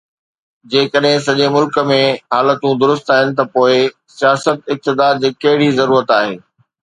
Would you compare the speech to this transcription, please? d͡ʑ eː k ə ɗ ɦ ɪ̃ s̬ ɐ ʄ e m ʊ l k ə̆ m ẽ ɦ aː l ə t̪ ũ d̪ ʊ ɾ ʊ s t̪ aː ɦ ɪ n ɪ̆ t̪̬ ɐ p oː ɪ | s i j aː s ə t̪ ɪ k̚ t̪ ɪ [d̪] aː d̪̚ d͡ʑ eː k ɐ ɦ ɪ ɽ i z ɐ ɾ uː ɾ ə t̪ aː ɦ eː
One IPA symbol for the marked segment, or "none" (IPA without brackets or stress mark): d̪